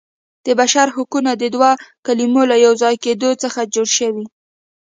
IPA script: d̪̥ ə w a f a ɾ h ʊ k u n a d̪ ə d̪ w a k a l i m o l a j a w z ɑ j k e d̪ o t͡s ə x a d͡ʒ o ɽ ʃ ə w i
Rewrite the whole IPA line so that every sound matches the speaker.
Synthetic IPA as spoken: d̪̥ ə b a ʃ a ɾ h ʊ k u n a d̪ ə d̪ w a k a l i m o l a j a w z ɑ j k e d̪ o t͡s ə x a d͡ʒ o ɽ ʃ ə w i